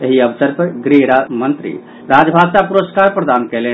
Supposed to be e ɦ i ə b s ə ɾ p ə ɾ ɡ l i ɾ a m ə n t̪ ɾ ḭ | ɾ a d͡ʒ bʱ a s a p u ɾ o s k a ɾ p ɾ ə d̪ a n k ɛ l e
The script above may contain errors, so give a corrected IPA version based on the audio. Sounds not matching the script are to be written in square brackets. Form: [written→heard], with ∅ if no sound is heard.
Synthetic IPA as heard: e ɦ i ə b s ə ɾ p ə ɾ ɡ [l→ɾ] i ɾ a m ə n t̪ ɾ ḭ | ɾ a d͡ʒ bʱ a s a p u ɾ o s k a ɾ p ɾ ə d̪ a n k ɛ l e